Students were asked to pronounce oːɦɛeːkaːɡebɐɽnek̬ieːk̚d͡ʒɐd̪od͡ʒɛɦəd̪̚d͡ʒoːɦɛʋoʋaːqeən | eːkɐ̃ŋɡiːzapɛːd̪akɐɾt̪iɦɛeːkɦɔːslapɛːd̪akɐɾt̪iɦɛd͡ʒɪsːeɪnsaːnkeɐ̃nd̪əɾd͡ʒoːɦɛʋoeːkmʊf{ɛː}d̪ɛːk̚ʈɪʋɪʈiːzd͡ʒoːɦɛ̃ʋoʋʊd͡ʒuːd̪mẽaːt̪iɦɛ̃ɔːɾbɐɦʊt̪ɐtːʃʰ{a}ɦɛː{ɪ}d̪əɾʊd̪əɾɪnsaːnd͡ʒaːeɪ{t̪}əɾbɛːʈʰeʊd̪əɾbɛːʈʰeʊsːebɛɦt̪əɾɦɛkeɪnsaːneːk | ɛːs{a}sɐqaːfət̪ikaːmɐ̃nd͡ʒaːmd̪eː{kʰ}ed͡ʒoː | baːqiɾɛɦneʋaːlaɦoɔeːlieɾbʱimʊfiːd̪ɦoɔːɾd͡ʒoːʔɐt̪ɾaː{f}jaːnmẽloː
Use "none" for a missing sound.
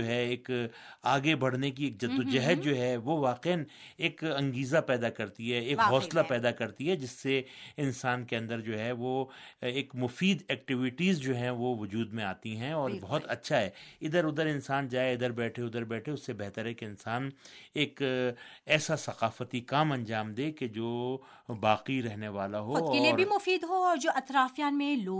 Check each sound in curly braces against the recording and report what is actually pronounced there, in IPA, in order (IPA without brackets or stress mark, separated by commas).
iː, a, ɪ, d̪, a, k, f